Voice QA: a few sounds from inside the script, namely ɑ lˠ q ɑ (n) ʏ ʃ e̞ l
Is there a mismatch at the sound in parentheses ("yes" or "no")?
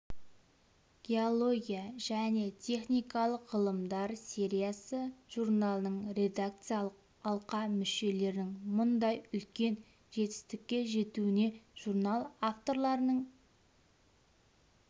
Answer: yes